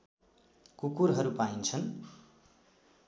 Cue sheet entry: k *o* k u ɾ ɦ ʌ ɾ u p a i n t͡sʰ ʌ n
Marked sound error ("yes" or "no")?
yes